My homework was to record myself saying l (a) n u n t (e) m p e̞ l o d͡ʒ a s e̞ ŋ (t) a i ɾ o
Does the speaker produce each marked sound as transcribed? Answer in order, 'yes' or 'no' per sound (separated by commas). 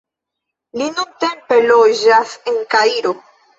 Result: no, yes, no